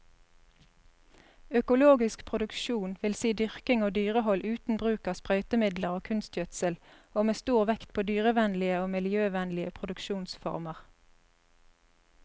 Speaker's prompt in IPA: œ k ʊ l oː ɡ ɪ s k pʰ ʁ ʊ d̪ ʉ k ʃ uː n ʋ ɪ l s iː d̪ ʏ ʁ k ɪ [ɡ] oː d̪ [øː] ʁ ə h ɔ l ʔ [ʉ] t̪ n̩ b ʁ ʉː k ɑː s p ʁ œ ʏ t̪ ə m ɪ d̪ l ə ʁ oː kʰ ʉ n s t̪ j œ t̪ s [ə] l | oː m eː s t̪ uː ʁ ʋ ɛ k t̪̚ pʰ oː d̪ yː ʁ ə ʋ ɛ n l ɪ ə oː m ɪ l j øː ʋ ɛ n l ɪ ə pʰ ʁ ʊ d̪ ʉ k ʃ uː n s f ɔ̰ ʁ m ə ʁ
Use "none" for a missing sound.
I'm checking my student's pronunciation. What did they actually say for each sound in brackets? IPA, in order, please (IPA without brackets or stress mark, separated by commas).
ŋ, yː, ʉː, ə